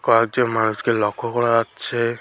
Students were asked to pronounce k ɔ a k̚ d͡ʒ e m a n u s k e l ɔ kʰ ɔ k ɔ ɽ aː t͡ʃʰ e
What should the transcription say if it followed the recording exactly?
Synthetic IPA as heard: k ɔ a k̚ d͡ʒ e m a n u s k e l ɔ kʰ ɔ k ɔ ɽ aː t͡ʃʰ e